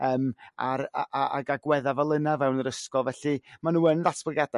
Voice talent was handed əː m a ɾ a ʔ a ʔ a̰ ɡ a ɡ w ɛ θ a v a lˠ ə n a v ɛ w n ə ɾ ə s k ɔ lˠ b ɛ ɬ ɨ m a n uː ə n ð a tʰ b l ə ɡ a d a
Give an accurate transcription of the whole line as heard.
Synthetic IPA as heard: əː m a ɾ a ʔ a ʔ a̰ ɡ a ɡ w ɛ ð a v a lˠ ə n a v ɛ w n ə ɾ ə s k ɔ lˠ v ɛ ɬ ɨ m a n uː ə n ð a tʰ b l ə ɡ a d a